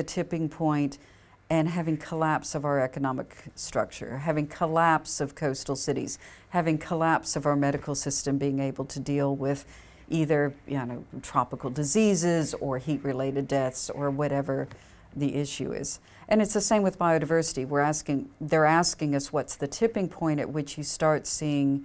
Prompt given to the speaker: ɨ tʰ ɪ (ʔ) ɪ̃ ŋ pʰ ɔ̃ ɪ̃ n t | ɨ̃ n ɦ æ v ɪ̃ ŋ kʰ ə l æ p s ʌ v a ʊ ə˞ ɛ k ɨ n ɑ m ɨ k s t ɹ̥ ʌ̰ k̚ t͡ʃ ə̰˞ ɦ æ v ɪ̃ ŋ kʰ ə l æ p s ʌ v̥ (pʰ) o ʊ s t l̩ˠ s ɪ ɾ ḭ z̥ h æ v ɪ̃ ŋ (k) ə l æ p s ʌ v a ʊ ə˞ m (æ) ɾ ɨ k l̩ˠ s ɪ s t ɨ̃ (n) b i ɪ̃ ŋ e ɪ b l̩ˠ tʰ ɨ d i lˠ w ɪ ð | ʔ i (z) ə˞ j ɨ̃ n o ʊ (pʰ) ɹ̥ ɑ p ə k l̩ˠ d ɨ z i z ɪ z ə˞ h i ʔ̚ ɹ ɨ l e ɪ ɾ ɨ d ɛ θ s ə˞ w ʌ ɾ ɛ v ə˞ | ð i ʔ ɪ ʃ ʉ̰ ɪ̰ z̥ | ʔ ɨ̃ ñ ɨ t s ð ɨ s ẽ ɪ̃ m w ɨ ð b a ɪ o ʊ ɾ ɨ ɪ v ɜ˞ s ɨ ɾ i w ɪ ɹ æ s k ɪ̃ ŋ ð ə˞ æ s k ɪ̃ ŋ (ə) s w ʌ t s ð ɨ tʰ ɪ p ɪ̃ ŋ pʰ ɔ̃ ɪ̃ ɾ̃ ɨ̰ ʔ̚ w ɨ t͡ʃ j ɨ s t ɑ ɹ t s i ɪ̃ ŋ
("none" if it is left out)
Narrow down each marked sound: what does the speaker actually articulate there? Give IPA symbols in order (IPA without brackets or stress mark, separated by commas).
p, kʰ, kʰ, ɛ, m, ð, tʰ, ʌ